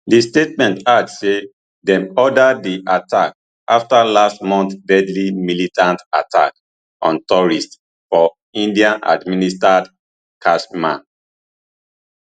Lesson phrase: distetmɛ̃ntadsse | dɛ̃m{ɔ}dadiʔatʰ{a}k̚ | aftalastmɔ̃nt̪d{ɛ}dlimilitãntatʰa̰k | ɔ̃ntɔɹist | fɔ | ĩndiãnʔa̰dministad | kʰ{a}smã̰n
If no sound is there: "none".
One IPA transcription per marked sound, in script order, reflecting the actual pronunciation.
ɔ, a, ɛ, a

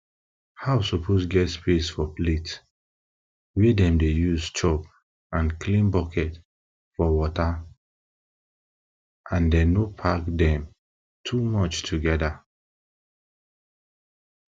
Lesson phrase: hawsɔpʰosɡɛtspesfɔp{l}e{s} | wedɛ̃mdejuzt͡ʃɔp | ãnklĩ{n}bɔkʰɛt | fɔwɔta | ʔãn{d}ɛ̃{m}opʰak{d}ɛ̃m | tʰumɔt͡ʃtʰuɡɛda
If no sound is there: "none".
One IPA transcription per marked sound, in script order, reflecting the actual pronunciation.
l, t, n, d, n, d

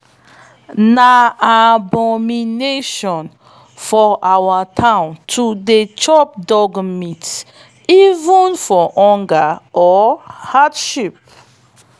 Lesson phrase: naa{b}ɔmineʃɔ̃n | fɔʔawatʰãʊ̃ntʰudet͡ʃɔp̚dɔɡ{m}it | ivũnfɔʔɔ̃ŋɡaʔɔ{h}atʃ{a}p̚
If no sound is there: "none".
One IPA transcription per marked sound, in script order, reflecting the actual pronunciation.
b, m, h, i

